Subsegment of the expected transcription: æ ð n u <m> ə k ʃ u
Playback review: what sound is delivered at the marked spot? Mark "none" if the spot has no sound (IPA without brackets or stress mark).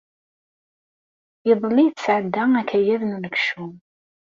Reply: n